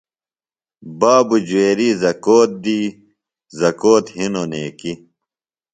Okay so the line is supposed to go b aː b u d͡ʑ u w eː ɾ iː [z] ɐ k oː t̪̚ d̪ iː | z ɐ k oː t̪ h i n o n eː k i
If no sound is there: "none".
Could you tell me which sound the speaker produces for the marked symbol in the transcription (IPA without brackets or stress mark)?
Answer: z